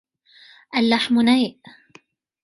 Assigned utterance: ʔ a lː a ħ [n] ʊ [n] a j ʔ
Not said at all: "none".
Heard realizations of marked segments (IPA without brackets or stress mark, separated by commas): m, n